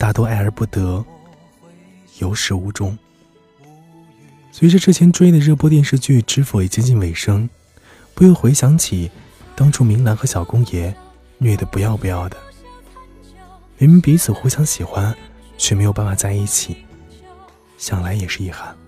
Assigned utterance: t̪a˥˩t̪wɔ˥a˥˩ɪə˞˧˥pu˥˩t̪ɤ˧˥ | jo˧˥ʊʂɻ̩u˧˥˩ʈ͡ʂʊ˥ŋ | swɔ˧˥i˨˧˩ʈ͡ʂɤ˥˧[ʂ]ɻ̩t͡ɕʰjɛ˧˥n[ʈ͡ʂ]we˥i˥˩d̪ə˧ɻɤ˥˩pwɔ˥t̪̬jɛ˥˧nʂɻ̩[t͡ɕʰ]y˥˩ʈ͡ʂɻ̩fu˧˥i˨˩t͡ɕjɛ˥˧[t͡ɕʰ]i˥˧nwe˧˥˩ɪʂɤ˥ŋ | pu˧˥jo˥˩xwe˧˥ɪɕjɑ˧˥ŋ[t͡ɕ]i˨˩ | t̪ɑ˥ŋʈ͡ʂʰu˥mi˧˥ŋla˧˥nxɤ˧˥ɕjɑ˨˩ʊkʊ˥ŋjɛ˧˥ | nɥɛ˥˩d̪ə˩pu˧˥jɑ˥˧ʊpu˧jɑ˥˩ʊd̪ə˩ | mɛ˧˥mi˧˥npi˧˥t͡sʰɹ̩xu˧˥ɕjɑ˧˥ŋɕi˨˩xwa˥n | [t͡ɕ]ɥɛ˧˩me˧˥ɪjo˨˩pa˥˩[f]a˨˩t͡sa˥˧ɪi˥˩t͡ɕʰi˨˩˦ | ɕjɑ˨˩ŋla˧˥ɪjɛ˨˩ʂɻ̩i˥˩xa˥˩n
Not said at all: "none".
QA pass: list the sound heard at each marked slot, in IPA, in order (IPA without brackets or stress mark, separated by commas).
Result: ʈ͡ʂ, ʈ͡ʂ, t͡ɕ, t͡ɕ, t͡ɕʰ, t͡ɕʰ, f